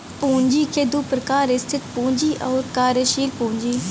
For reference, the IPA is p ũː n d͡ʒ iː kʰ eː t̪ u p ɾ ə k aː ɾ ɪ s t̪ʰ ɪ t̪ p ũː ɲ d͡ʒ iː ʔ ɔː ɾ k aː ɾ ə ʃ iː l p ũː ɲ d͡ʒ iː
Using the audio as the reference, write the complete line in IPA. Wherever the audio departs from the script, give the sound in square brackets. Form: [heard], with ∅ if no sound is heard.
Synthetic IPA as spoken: p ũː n d͡ʒ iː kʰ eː [d̪] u p ɾ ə k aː ɾ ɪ s t̪ʰ ɪ t̪ p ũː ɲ d͡ʒ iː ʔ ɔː ɾ k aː ɾ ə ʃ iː l p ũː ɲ d͡ʒ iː